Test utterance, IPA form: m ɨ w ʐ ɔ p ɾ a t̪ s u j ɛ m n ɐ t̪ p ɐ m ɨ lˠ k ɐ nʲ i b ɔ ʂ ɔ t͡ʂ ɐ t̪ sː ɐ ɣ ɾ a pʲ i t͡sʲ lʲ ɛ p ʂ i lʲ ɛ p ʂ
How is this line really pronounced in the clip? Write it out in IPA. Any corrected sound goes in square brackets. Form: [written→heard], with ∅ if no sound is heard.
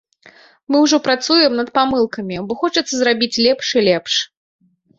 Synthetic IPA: m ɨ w ʐ ɔ p ɾ a t̪ s u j ɛ m n ɐ t̪ p [ɐ→a] m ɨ lˠ k ɐ [nʲ→mʲ] i b ɔ [ʂ→x] ɔ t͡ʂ ɐ t̪ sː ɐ [ɣ→z] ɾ a [pʲ→bʲ] i t͡sʲ lʲ ɛ p ʂ i lʲ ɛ p ʂ